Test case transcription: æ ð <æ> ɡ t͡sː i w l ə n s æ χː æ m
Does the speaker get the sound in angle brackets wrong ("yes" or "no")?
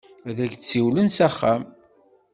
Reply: no